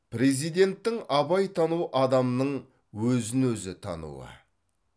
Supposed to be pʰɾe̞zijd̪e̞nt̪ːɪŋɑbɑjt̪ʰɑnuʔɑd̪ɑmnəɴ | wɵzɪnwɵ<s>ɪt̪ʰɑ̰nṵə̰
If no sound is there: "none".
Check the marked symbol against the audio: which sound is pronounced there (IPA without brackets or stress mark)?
z